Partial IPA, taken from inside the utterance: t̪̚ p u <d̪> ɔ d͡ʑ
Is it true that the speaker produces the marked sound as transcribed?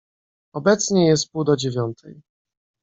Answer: yes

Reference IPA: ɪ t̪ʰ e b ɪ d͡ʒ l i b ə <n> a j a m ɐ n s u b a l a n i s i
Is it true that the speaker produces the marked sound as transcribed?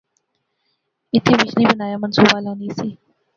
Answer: yes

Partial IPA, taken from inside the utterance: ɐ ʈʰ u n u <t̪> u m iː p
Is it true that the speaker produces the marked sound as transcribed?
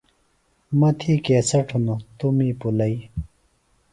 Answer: yes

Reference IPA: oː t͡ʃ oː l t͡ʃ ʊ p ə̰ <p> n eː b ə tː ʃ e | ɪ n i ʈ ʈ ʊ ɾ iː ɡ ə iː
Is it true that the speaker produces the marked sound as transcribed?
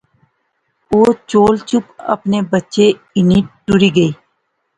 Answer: yes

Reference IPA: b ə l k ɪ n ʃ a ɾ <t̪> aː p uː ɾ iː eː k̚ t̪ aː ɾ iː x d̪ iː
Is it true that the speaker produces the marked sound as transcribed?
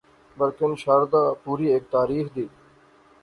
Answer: no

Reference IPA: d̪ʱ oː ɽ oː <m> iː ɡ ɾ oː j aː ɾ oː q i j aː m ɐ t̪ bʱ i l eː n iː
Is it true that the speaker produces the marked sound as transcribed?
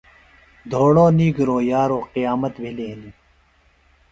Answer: no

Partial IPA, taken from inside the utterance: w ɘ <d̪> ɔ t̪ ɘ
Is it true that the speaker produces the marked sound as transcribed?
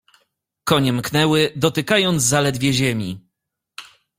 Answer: yes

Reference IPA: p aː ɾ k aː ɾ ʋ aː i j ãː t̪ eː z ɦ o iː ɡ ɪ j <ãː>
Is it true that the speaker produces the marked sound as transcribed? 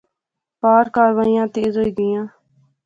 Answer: yes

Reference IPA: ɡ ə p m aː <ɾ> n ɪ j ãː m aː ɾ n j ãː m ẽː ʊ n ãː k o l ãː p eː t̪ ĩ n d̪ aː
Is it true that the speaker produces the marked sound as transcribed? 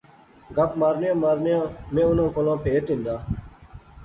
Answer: yes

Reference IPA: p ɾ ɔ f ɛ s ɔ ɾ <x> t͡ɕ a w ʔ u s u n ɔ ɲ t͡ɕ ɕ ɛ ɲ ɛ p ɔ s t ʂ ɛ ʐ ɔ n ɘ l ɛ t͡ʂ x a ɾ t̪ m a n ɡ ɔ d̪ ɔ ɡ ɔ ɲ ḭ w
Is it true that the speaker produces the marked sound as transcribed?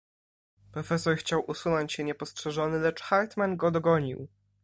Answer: yes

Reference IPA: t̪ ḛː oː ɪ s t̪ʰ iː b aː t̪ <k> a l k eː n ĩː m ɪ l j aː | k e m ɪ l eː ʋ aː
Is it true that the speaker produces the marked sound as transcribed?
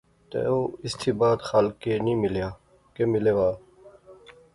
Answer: no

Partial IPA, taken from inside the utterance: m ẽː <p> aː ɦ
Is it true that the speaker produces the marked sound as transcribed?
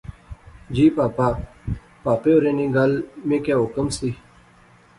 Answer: no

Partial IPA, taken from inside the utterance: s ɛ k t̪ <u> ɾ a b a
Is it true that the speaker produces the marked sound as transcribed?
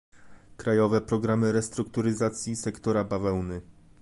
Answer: no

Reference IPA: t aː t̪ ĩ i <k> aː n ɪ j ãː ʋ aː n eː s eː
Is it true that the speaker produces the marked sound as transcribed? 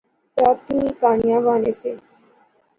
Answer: yes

